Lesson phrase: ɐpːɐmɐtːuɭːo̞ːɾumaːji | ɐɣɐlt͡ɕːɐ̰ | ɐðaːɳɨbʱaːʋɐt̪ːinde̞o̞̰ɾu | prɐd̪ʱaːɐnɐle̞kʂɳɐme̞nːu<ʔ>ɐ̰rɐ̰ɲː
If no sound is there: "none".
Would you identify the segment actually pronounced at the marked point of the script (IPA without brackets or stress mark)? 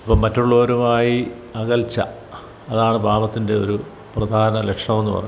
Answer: p